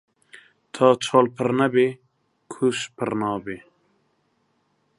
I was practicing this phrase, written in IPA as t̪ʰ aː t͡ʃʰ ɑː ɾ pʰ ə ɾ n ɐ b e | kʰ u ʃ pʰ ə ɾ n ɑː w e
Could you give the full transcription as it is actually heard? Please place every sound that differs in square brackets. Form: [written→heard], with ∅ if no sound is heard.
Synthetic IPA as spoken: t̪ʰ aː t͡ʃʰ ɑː [ɾ→l] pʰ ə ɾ n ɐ b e | kʰ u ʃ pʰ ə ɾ n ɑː [w→b] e